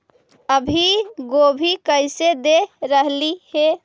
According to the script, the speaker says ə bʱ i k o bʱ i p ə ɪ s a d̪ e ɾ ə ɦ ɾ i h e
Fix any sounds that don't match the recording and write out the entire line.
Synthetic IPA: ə bʱ i ɡ o bʱ i k ə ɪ s e d̪ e ɾ ə ɦ l i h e